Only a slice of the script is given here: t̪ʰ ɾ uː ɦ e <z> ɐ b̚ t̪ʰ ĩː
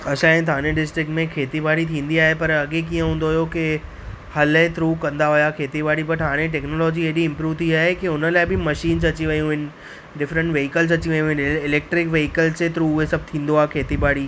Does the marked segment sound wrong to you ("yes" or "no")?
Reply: yes